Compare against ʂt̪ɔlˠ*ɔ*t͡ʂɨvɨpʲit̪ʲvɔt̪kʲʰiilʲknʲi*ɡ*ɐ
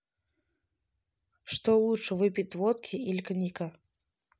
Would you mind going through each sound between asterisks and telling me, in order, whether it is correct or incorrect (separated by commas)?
incorrect, incorrect